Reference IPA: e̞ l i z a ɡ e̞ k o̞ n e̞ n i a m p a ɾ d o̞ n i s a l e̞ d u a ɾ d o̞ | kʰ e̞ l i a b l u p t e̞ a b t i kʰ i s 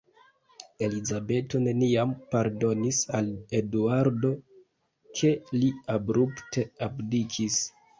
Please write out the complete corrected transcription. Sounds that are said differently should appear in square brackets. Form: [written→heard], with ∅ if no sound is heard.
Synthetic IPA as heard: e̞ l i z a [ɡ→b] e̞ [k→t] o̞ n e̞ n i a m p a ɾ d o̞ n i s a l e̞ d u a ɾ d o̞ | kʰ e̞ l i a b [l→ɾ] u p t e̞ a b [t→d] i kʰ i s